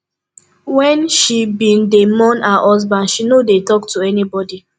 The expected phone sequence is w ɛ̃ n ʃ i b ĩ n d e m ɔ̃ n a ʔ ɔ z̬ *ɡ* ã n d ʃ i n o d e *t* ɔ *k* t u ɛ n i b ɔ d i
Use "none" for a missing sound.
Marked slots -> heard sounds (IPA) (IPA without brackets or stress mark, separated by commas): b, t, k